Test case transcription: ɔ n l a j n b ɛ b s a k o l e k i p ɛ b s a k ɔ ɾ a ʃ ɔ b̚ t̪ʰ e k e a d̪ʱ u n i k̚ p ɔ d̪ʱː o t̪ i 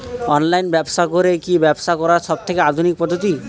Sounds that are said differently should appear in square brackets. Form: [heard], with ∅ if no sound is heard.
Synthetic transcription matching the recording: ɔ n l a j n b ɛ b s a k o [ɾ] e k i [b] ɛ b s a k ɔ ɾ a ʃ ɔ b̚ t̪ʰ e k e a d̪ʱ u n i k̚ p ɔ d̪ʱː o t̪ i